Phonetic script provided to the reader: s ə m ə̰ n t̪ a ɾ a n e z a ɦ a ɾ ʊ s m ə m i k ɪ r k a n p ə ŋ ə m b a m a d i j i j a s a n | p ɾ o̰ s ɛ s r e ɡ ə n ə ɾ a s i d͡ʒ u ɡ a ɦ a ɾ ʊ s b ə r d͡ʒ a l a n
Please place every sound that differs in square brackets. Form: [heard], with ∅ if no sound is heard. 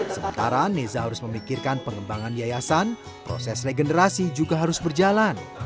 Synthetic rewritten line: s ə m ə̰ n t̪ a ɾ a n e z a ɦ a ɾ ʊ s m ə m i k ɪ r k a n p ə ŋ ə m b a [ŋ] a [n] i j [a] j a s a n | p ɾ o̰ s ɛ s r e ɡ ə n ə ɾ a s i d͡ʒ u ɡ a ɦ a ɾ ʊ s b ə r d͡ʒ a l a n